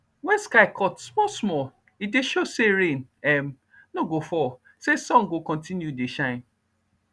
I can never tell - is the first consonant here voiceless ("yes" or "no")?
no